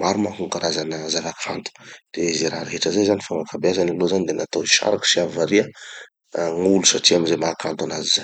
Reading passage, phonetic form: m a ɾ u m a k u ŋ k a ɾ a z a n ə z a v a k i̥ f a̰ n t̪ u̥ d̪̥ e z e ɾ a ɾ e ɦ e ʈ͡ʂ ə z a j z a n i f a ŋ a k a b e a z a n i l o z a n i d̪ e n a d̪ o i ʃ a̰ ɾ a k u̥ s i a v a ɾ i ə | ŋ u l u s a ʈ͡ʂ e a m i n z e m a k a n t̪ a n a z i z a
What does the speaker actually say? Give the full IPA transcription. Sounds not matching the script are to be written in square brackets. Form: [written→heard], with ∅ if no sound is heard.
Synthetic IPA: m a ɾ u m a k u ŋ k a ɾ a z a n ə z a v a k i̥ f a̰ n t̪ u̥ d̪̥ e z e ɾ a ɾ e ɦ e ʈ͡ʂ ə z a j z a n i f a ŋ a k a b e a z a n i l o z a n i d̪ e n a [d̪→t̪] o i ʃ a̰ ɾ a k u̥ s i a v a ɾ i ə | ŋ u l u s a ʈ͡ʂ [e→i] a m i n z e m a k a n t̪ a n a z i z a